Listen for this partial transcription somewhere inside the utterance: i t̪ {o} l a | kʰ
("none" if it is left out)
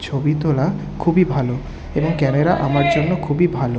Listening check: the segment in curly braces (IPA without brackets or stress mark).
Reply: o